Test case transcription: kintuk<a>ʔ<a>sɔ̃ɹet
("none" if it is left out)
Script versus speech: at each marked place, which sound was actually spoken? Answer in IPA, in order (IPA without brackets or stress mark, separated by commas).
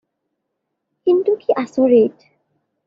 i, a